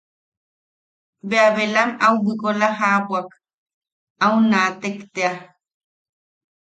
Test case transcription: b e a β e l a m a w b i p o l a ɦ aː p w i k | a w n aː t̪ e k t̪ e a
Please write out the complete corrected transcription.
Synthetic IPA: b e a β e l a m a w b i k o l a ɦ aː p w a k | a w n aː t̪ e k t̪ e a